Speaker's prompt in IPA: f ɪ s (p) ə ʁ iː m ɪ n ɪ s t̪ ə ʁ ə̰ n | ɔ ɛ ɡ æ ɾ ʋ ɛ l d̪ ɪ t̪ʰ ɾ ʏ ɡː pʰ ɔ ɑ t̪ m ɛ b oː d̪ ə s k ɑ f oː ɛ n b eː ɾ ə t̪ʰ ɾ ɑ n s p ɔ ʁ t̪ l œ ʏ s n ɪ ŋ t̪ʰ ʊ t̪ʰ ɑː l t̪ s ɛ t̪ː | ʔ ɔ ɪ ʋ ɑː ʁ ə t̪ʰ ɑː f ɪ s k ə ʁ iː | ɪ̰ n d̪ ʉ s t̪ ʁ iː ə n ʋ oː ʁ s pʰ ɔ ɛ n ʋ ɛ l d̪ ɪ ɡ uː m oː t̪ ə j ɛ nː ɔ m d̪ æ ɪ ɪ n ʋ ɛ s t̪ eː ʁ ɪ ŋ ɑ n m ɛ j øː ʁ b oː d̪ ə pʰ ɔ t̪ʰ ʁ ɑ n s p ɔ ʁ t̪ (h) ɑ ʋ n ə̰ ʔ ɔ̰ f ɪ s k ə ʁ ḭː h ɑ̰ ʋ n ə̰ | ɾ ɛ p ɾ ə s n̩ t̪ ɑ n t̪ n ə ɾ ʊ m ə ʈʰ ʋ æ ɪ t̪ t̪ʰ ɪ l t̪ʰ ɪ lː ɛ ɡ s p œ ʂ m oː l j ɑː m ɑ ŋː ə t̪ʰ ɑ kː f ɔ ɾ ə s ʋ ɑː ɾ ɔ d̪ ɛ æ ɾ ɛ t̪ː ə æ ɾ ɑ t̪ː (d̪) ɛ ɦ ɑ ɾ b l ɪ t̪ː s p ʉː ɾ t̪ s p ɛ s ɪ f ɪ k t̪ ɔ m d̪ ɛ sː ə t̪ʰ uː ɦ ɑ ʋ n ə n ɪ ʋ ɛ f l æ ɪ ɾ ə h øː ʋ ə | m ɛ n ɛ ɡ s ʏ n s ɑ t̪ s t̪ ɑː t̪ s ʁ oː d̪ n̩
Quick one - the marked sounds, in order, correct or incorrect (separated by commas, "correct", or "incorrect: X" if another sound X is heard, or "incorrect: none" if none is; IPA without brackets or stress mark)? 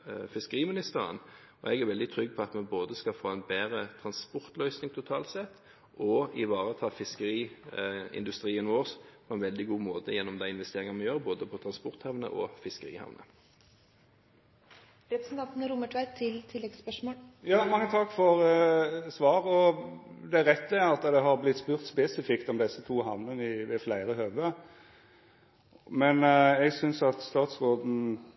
incorrect: k, correct, correct